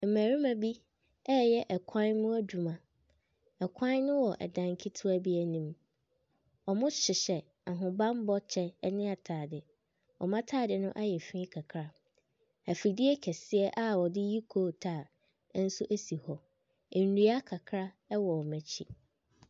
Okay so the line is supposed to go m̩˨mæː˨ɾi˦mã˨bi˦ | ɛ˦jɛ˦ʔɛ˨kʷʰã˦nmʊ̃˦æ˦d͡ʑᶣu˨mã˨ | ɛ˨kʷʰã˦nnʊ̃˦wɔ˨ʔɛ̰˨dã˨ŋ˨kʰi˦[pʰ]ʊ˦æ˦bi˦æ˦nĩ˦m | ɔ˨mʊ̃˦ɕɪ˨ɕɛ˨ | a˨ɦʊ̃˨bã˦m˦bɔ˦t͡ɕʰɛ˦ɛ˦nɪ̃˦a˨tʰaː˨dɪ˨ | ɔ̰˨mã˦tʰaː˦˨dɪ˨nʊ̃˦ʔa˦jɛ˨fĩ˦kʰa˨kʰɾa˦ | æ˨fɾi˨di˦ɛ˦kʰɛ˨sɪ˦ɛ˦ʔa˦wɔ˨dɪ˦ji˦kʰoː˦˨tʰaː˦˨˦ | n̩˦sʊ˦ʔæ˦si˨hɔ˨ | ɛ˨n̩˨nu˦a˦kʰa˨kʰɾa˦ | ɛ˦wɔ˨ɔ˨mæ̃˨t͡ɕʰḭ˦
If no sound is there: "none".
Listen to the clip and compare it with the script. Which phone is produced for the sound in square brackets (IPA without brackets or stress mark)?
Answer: tʰ